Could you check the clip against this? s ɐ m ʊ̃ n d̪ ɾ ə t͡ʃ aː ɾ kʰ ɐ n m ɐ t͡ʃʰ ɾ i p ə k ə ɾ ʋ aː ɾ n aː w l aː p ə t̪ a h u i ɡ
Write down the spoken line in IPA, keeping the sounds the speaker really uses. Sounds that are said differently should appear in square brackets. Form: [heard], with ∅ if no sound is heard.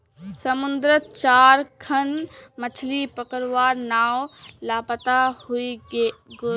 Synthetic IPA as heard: s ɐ m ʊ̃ n d̪ ɾ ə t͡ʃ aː ɾ kʰ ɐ n m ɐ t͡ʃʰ [l] i p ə k ə ɾ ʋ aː ɾ n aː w l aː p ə t̪ a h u i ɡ